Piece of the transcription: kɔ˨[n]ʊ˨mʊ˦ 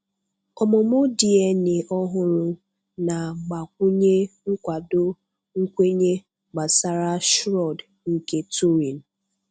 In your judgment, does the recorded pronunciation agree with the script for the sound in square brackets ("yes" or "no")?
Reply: no